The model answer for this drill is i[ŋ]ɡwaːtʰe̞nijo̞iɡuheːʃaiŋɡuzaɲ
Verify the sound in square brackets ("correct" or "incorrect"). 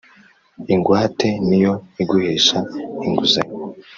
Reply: correct